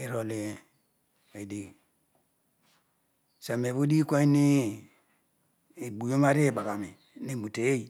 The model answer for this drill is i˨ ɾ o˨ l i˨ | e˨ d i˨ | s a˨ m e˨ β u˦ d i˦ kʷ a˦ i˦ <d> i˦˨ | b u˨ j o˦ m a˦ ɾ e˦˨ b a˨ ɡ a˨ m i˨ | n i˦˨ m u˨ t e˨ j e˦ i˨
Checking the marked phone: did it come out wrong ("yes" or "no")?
yes